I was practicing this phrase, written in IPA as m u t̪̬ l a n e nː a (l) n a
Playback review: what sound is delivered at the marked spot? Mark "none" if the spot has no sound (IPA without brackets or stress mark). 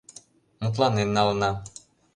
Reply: l